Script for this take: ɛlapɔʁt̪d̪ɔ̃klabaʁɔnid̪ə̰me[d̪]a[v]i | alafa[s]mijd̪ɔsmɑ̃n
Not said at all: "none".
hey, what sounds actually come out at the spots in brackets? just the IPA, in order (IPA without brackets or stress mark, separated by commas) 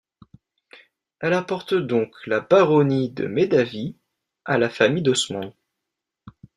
d̪, v, none